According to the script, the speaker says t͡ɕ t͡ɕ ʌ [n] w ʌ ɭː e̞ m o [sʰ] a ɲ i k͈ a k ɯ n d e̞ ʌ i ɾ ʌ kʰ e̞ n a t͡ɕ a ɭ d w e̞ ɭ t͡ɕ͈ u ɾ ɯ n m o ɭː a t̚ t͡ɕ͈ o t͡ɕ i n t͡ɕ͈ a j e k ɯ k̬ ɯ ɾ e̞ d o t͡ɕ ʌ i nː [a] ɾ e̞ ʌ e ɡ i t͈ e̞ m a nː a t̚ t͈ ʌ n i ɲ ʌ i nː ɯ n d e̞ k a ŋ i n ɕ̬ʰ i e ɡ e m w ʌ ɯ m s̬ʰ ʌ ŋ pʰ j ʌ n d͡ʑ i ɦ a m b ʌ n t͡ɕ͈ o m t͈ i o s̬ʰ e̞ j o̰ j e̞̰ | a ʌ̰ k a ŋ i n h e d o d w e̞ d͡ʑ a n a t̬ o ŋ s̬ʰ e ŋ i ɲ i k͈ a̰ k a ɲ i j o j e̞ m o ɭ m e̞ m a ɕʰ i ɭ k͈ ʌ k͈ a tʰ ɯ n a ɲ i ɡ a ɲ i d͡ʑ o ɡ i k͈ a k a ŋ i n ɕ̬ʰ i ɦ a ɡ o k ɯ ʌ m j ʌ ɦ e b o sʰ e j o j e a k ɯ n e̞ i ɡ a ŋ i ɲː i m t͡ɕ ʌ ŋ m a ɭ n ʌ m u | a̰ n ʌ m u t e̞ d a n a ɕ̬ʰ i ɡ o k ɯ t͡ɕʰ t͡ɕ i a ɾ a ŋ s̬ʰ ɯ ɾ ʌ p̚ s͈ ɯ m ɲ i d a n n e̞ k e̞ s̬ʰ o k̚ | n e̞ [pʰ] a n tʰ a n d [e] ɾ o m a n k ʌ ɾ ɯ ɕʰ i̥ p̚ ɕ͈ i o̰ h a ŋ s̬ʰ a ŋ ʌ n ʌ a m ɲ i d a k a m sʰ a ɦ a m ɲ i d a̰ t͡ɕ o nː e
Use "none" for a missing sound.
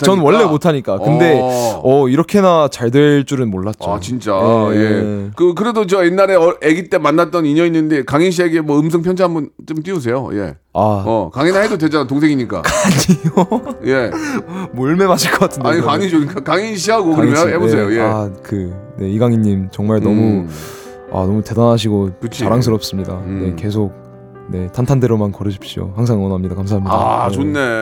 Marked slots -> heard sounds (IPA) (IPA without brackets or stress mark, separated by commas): n, tʰ, a, tʰ, e